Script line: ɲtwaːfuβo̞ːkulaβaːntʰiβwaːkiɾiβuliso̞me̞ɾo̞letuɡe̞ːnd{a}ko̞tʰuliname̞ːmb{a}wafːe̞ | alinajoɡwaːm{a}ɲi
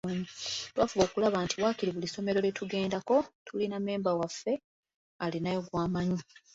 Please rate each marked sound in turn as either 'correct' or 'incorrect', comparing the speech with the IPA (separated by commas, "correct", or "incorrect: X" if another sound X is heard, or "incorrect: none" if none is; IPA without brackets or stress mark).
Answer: correct, correct, correct